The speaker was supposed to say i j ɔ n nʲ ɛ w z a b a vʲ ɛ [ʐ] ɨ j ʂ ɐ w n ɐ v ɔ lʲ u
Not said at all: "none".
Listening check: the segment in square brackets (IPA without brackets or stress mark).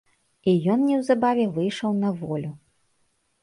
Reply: v